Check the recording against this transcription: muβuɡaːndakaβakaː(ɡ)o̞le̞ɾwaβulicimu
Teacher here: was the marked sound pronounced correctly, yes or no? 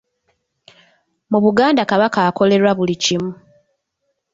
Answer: no